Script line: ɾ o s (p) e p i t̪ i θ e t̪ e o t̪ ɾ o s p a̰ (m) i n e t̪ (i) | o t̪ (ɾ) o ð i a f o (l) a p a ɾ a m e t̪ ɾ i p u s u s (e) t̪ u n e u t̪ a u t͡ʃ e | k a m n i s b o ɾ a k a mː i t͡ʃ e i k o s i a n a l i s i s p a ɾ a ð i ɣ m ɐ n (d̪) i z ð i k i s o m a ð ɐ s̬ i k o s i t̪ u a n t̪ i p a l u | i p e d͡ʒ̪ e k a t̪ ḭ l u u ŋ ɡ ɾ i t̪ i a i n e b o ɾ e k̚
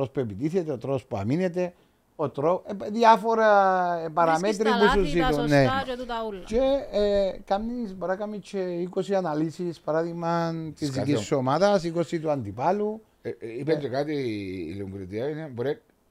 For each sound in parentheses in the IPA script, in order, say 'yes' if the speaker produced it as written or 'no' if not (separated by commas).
yes, yes, no, yes, no, no, no